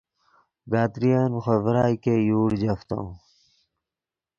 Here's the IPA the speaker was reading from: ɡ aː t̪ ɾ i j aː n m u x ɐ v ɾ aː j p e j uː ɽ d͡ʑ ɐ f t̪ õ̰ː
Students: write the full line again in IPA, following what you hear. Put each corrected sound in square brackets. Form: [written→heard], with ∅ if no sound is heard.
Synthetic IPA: ɡ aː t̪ ɾ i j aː n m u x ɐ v ɾ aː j [p→k] e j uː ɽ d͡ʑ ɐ f t̪ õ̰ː